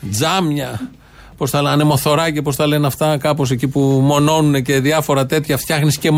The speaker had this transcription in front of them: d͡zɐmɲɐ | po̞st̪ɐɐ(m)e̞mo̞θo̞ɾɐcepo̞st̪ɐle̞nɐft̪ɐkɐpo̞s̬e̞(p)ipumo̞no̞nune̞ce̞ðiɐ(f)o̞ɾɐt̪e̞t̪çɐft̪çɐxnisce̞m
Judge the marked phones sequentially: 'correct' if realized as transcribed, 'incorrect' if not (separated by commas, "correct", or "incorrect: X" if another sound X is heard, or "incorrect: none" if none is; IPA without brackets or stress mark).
incorrect: n, incorrect: c, correct